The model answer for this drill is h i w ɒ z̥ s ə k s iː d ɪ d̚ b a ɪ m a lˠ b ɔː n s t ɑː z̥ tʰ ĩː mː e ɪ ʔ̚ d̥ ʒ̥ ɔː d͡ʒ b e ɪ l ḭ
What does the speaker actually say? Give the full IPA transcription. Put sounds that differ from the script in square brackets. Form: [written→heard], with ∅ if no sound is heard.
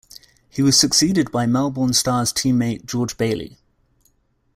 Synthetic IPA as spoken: h i w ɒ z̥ s ə k s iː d ɪ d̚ b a ɪ m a lˠ b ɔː n s t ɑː z̥ tʰ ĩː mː e ɪ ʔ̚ d̥ ʒ̥ ɔː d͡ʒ b e ɪ l ḭ